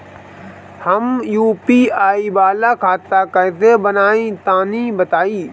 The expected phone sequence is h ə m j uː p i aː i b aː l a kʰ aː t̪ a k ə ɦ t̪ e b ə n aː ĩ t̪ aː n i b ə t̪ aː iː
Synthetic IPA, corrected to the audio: h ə m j uː p i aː i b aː l a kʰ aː t̪ a k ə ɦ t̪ e b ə n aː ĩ t̪ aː n i b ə t̪ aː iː